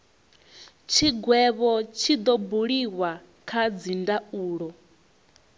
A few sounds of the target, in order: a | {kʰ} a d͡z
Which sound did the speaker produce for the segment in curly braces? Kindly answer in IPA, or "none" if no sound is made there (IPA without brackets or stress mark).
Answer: kʰ